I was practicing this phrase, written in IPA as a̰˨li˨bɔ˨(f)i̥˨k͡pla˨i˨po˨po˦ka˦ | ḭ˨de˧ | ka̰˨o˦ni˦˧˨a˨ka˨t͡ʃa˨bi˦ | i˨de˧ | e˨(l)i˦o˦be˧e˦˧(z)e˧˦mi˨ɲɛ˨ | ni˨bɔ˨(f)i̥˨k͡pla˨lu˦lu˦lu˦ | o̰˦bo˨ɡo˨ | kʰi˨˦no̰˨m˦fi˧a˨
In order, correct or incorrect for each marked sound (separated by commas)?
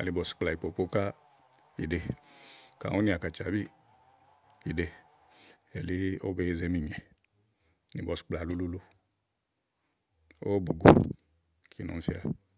incorrect, correct, correct, incorrect